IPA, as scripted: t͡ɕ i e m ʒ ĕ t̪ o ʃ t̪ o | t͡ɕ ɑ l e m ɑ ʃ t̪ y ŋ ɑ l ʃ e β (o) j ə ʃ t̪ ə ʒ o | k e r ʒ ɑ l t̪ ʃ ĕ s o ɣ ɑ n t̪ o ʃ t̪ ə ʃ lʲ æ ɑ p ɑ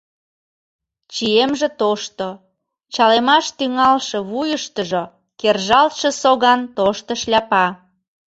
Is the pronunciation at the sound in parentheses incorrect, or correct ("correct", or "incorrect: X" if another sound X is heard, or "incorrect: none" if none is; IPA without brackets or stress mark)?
incorrect: u